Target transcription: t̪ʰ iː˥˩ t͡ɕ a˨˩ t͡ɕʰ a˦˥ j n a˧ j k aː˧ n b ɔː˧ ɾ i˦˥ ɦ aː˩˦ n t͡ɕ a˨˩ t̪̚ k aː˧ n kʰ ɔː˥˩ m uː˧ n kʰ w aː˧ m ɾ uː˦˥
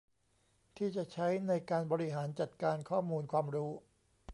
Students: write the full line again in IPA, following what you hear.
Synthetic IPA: t̪ʰ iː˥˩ t͡ɕ a˨˩ t͡ɕʰ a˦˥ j n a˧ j k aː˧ n b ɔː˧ ɾ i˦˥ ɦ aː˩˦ n t͡ɕ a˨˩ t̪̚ k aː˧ n kʰ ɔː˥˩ m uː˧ n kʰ w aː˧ m ɾ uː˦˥